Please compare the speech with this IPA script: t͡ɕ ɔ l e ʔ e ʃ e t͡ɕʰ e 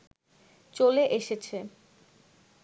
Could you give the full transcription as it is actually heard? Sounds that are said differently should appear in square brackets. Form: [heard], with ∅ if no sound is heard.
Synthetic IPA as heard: t͡ɕ [o] l e ʔ e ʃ e t͡ɕʰ e